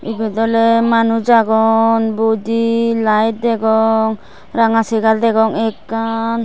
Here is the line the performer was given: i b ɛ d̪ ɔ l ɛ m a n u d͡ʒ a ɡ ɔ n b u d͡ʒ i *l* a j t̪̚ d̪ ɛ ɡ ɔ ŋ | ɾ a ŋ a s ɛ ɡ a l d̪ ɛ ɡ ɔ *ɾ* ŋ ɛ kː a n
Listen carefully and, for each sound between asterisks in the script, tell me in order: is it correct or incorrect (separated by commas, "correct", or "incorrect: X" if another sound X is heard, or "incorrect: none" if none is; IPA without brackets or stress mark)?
correct, incorrect: none